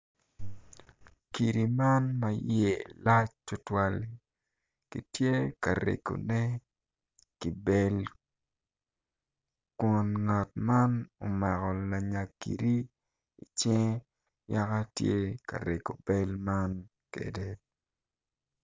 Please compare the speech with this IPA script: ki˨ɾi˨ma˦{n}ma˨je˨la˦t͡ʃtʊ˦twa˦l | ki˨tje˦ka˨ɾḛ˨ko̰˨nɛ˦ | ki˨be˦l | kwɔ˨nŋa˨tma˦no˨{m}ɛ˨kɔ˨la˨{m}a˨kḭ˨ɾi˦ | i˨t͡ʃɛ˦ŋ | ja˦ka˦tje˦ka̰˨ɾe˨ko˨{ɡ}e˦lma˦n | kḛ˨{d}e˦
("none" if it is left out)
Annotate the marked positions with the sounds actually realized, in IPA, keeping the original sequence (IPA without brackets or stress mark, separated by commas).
n, m, ɲ, b, d